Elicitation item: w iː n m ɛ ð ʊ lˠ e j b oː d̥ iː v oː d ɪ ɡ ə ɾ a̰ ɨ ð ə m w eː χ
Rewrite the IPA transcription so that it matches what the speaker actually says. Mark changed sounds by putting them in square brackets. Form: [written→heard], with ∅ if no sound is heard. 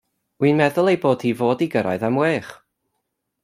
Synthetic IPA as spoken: w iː n m ɛ ð ʊ lˠ e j b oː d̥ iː v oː d [ɪ→i] ɡ ə ɾ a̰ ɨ ð [ə→a] m w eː χ